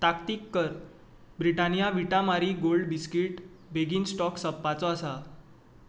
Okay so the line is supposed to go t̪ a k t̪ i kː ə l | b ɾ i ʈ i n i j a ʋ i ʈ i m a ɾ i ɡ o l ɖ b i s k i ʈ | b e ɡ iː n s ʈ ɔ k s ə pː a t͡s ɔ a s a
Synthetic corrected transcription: t̪ a k t̪ i kː ə ɾ | b ɾ i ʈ a n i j a ʋ i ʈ a m a ɾ i ɡ o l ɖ b i s k i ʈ | b e ɡ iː n s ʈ ɔ k s ə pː a t͡s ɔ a s a